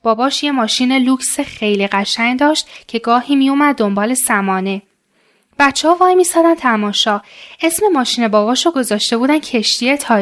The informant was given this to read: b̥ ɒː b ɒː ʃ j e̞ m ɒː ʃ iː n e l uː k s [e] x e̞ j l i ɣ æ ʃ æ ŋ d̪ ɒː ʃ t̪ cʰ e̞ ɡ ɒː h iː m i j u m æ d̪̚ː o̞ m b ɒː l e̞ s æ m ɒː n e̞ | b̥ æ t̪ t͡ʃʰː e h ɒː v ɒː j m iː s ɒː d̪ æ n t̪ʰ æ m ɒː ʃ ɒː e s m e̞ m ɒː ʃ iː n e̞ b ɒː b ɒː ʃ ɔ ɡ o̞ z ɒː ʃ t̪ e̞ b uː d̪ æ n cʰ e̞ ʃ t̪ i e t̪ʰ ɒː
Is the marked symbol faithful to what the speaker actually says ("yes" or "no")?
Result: yes